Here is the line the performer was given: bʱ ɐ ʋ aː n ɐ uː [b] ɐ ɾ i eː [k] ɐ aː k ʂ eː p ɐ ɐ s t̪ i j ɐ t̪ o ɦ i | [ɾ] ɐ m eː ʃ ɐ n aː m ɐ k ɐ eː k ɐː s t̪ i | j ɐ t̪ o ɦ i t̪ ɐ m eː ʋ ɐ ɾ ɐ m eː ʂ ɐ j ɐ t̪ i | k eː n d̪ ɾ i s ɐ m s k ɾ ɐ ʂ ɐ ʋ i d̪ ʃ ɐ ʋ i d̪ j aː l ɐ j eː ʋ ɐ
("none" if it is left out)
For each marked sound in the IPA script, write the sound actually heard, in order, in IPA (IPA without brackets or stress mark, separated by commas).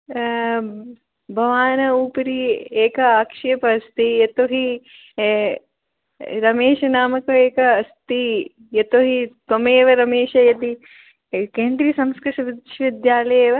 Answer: p, k, ɾ